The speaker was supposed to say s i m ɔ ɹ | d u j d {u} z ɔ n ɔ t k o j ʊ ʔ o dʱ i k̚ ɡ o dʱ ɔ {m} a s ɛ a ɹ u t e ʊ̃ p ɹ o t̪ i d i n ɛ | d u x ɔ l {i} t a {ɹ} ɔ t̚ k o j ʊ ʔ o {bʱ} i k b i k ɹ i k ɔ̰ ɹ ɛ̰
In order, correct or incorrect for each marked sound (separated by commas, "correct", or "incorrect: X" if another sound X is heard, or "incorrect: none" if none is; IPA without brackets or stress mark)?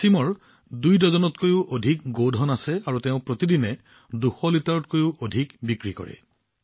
incorrect: ɔ, incorrect: n, correct, correct, incorrect: dʱ